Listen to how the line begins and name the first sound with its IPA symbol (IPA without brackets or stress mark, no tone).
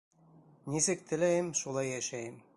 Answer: n